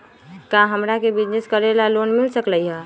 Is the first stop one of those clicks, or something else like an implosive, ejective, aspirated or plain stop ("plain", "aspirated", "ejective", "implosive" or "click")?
plain